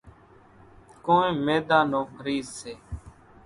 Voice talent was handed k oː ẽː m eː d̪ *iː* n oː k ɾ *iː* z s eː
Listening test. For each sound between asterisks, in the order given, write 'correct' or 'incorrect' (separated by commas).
incorrect, correct